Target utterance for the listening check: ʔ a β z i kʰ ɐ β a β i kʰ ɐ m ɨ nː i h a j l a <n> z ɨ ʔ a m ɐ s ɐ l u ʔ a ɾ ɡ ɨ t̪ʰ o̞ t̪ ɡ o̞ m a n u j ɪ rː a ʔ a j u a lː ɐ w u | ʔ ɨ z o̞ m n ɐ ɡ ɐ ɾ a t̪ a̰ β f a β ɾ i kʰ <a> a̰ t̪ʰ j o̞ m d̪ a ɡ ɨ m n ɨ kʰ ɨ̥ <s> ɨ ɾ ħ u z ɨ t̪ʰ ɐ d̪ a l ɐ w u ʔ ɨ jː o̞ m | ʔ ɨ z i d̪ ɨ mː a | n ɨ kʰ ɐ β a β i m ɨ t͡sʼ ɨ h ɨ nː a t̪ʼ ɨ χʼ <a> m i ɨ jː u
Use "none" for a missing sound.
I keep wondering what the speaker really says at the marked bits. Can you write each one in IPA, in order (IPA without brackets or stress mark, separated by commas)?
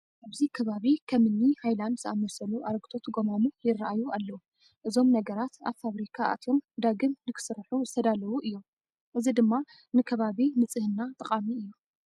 n, a, s, a